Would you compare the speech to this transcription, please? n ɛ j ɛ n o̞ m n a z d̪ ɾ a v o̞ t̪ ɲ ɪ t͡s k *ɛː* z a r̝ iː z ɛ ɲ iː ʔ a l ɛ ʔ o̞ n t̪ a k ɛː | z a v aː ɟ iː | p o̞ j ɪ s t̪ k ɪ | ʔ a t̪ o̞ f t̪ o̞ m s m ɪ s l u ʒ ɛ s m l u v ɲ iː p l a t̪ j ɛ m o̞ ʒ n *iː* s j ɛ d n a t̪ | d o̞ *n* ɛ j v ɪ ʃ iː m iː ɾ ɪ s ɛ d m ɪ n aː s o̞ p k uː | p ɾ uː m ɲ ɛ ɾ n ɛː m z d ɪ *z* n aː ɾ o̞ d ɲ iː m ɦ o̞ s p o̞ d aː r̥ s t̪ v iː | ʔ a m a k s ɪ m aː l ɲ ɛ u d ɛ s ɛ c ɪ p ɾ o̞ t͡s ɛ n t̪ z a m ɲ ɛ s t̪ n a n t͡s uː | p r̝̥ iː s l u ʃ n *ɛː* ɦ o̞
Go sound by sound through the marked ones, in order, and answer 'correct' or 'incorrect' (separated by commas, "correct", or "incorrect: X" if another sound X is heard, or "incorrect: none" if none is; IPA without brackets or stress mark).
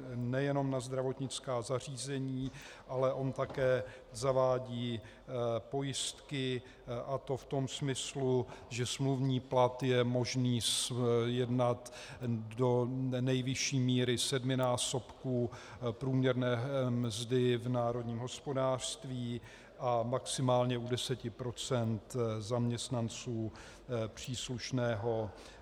incorrect: aː, correct, correct, incorrect: v, correct